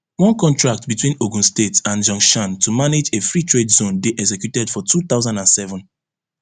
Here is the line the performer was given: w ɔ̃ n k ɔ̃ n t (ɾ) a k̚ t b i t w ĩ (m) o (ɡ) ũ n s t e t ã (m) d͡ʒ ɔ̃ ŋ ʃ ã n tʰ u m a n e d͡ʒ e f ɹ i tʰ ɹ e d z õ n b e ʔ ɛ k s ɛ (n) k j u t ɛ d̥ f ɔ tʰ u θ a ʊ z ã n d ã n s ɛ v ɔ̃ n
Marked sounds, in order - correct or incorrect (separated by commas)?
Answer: incorrect, incorrect, correct, incorrect, incorrect